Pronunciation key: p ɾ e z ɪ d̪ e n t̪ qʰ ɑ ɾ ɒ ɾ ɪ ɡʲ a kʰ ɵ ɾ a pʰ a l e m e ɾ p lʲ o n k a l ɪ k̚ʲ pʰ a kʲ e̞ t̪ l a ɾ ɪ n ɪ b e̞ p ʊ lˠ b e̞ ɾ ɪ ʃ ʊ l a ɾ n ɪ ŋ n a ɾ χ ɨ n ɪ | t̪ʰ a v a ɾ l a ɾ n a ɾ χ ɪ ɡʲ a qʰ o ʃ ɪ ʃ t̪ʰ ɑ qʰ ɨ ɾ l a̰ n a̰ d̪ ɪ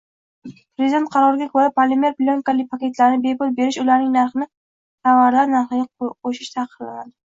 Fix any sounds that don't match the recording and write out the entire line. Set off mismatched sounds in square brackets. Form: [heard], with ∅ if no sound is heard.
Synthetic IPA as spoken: p ɾ e z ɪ d̪ e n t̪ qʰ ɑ ɾ ɒ ɾ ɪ ɡʲ a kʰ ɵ ɾ a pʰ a l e m e ɾ p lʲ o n k a l ɪ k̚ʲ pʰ a kʲ e̞ t̪ l a ɾ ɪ n ɪ b e̞ p ʊ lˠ b e̞ ɾ ɪ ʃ ʊ l a ɾ n ɪ ŋ n a ɾ χ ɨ n ɪ | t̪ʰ a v a ɾ l a ɾ n a ɾ χ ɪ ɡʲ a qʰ o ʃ ɪ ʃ t̪ʰ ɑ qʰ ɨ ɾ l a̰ n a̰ d̪ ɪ